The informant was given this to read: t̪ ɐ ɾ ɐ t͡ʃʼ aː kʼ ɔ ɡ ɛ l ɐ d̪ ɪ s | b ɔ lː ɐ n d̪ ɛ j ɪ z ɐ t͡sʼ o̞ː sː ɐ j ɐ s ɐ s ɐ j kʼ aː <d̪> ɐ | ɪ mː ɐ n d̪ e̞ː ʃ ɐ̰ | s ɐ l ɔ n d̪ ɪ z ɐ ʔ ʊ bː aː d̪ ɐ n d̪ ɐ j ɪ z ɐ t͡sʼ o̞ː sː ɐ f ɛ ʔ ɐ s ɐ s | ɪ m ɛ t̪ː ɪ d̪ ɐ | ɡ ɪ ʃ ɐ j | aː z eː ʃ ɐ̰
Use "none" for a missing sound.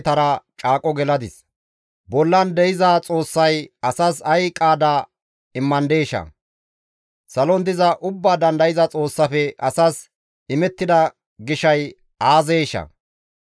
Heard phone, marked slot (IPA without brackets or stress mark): d̪